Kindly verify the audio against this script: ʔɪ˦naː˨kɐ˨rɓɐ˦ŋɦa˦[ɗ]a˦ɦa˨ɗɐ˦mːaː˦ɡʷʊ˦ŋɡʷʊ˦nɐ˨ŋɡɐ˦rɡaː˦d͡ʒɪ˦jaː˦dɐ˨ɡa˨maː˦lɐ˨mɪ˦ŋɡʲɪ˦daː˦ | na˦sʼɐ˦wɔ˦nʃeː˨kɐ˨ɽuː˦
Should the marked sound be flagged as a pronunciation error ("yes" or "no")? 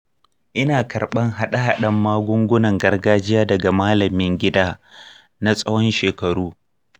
no